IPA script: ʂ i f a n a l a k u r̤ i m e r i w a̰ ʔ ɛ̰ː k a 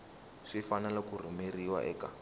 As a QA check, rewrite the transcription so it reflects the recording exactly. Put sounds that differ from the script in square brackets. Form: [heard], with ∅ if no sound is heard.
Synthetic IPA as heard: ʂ i f a n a l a k u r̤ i m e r i w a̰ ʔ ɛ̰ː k a